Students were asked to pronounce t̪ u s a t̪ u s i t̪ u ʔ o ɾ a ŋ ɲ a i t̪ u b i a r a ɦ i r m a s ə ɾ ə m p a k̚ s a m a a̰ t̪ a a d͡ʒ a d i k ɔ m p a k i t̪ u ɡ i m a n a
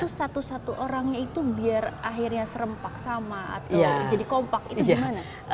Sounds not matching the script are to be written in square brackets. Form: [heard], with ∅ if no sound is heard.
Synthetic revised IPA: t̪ u s a t̪ u s [a] t̪ u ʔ o ɾ a ŋ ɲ a i t̪ u b i a r a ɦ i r [ɲ] a s ə ɾ ə m p a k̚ s a m a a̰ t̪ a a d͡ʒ a d i k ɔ m p a k i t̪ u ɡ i m a n a

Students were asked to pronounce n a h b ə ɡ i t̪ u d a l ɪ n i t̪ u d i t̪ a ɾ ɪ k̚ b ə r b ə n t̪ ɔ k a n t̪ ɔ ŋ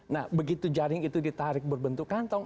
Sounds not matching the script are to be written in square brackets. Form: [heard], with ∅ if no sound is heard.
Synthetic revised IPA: n a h b ə ɡ i t̪ u [d͡ʒ] a [ɾ] ɪ [ŋ] i t̪ u d i t̪ a ɾ ɪ k̚ b ə r b ə n t̪ [u] k a n t̪ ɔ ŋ

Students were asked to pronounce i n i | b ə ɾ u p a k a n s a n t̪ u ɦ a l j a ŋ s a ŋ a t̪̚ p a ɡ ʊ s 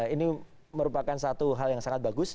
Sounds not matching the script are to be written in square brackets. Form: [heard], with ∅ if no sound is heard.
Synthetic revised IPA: i n i | [m] ə ɾ u p a k a n s a [∅] t̪ u ɦ a l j a ŋ s a ŋ a t̪̚ [b] a ɡ ʊ s

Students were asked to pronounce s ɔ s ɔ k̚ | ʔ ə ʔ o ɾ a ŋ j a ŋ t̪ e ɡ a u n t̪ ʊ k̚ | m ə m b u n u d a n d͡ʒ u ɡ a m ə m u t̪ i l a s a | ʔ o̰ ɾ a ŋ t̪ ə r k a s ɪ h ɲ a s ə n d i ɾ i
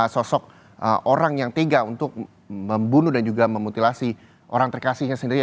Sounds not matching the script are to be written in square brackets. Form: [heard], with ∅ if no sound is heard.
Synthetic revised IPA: s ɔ s ɔ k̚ | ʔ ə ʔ o ɾ a ŋ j a ŋ t̪ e ɡ a u n t̪ ʊ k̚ | m ə m b u n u d a n d͡ʒ u ɡ a m ə m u t̪ i l a s [i] | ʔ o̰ ɾ a ŋ t̪ ə r k a s ɪ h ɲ a s ə n d i ɾ i

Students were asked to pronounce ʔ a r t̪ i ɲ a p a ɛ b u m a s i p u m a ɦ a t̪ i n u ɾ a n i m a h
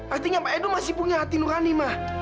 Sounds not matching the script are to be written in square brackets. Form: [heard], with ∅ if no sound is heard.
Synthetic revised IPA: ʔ a r t̪ i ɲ a p a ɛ [d] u m a s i p u [ɲ] a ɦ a t̪ i n u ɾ a n i m a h

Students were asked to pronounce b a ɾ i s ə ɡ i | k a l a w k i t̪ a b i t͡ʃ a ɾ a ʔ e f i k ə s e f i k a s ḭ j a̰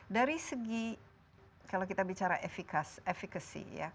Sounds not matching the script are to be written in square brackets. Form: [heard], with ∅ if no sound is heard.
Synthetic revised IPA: [d] a ɾ i s ə ɡ i | k a l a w k i t̪ a b i t͡ʃ a ɾ a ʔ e f i k [a] s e f i k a s ḭ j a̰

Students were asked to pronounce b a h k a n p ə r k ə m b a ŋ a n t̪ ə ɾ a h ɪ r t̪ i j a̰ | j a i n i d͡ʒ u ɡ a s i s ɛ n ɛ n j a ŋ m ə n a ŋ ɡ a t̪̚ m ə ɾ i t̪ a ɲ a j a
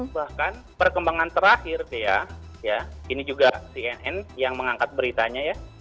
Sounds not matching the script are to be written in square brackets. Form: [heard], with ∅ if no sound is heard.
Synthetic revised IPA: b a h k a n p ə r k ə m b a ŋ a n t̪ ə ɾ a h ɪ r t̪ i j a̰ | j a i n i d͡ʒ u ɡ a s i [∅] ɛ n ɛ n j a ŋ m ə [ŋ] a ŋ [k] a t̪̚ [b] ə ɾ i t̪ a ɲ a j a

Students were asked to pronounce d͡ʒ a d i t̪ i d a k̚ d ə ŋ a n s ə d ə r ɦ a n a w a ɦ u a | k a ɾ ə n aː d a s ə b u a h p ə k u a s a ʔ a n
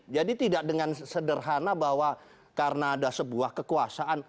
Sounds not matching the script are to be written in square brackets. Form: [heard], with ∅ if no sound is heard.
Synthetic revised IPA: d͡ʒ a d i t̪ i d a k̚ d ə ŋ a n s ə d ə r ɦ a n a [b] a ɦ [w] a | k a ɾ ə n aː d a s ə b u a h [k] ə k u a s a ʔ a n

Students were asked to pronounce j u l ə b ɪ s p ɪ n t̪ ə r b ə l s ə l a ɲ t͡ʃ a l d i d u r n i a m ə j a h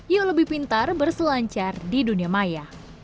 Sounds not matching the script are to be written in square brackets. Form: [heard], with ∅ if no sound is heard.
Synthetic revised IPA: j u l ə b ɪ [h] p [i] n t̪ [a] r b ə [r] s ə l a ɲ t͡ʃ a [r] d i d u [∅] n i a m [a] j a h

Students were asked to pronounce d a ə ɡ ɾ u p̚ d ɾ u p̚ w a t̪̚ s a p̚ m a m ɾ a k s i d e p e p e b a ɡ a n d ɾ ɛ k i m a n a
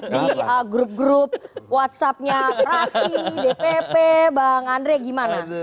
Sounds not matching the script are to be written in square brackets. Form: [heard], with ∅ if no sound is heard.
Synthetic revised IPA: d [i] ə ɡ ɾ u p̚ [ɡ] ɾ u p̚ w a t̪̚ s a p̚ [ɲ] a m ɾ a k s i d e p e p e b a [ŋ] a n d ɾ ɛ [ɡ] i m a n a

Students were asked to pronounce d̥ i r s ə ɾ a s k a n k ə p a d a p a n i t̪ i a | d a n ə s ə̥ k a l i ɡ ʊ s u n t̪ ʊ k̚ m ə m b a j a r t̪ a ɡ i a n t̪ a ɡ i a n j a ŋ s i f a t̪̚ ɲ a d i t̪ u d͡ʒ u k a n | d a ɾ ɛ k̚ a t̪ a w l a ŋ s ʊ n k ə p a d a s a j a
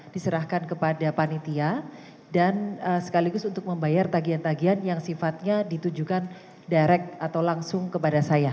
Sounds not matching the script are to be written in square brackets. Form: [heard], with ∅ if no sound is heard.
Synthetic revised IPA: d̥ i [∅] s ə ɾ a [h] k a n k ə p a d a p a n i t̪ i a | d a n ə s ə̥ k a l i ɡ ʊ s u n t̪ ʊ k̚ m ə m b a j a r t̪ a ɡ i a n t̪ a ɡ i a n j a ŋ s i f a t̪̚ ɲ a d i t̪ u d͡ʒ u k a n | d a ɾ ɛ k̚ a t̪ a w l a ŋ s ʊ [ŋ] k ə p a d a s a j a

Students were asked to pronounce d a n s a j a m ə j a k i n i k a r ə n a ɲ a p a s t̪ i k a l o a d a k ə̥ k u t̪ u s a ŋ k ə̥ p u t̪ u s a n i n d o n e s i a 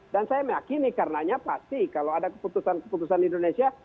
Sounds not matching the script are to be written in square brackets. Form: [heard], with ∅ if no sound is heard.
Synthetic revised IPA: d a n s a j a m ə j a k i n i k a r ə n a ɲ a p a s t̪ i k a l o a d a k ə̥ [p] u t̪ u s a [n] k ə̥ p u t̪ u s a n i n d o n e s i a

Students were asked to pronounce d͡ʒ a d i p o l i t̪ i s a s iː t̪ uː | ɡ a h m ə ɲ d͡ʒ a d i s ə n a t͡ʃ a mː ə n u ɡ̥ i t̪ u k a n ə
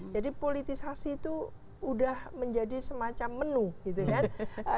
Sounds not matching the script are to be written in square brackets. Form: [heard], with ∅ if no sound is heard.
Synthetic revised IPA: d͡ʒ a d i p o l i t̪ i s a s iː t̪ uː | [d] a h m ə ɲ d͡ʒ a d i s ə [m] a t͡ʃ a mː ə n u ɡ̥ i t̪ u k a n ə

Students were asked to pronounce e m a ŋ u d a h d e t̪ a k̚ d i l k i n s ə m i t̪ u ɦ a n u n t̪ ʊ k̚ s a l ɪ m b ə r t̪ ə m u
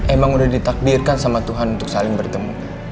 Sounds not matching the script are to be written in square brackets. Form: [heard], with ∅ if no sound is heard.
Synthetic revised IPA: e m a ŋ u d a h d [i] t̪ a k̚ d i [r] k [a] n s [a] m [a] t̪ u ɦ a n u n t̪ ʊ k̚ s a l ɪ [ŋ] b ə r t̪ ə m u

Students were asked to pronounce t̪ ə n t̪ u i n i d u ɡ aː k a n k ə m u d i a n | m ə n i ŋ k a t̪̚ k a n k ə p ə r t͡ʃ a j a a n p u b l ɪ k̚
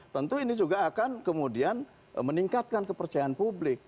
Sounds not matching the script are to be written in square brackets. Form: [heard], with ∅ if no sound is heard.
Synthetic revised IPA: t̪ ə n t̪ u i n i [d͡ʒ] u ɡ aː k a n k ə m u d i a n | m ə n i ŋ k a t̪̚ k a n k ə p ə r t͡ʃ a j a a n p u b l ɪ k̚

